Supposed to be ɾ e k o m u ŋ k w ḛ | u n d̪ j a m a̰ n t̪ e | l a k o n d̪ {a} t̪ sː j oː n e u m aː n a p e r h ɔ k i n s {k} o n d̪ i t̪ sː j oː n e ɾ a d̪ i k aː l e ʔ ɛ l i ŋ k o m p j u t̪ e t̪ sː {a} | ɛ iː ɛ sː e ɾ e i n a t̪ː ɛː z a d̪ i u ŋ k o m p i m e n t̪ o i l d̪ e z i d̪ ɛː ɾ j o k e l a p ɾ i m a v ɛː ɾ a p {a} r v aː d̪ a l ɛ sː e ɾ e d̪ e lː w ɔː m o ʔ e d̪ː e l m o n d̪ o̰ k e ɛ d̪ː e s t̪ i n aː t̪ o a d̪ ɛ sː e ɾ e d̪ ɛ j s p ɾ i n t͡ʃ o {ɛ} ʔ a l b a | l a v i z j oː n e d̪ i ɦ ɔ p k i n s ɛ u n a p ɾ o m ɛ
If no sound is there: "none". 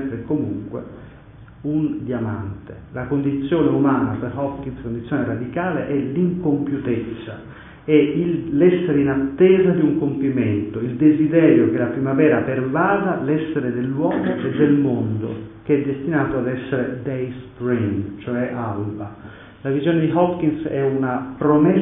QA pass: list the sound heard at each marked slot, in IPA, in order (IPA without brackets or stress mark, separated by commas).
i, k, a, e, ɛ